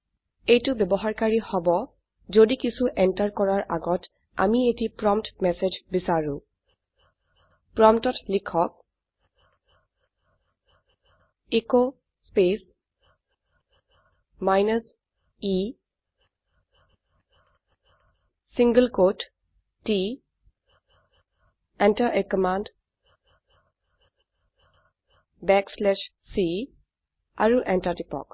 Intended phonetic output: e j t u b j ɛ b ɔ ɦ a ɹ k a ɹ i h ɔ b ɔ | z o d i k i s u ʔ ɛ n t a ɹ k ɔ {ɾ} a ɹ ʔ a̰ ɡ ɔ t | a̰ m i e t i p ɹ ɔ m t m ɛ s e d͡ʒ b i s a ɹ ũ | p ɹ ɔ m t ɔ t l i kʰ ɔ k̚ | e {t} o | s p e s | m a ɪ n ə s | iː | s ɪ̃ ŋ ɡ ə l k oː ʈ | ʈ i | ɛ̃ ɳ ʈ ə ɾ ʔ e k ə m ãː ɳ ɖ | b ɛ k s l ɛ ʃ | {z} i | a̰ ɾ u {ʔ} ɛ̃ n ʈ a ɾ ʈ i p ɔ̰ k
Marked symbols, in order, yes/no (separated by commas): no, no, no, yes